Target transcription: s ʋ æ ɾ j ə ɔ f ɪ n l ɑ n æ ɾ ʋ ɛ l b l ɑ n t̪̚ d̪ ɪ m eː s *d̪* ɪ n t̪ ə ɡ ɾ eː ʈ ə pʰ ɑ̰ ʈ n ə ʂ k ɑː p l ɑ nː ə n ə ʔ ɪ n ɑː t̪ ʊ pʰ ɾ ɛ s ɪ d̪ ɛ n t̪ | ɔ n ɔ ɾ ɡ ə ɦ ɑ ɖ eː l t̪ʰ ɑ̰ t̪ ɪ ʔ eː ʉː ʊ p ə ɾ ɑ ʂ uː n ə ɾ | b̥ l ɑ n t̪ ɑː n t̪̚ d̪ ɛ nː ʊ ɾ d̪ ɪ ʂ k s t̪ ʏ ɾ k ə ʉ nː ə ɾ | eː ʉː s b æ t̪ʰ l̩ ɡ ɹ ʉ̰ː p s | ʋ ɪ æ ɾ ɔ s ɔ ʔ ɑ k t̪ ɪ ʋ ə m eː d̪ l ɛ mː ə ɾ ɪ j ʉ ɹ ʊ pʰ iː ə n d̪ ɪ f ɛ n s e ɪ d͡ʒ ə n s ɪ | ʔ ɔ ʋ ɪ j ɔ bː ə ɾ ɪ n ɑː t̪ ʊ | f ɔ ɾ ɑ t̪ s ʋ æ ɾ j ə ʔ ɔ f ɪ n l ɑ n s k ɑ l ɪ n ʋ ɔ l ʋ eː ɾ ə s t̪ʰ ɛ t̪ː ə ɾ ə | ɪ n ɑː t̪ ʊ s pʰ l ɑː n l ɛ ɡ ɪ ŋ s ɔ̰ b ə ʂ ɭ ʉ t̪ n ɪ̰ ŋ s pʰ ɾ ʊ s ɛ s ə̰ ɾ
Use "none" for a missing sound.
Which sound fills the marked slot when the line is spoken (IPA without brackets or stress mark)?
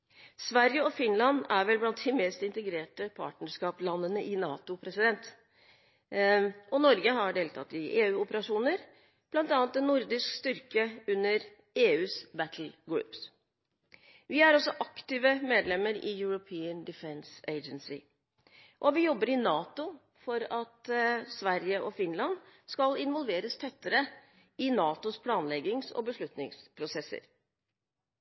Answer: t̪